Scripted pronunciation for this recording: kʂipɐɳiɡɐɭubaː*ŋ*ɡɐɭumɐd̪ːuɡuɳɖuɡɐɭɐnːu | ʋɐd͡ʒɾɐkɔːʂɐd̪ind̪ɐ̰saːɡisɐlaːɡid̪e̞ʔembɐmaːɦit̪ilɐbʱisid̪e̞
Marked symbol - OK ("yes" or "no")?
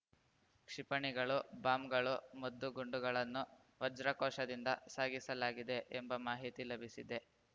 no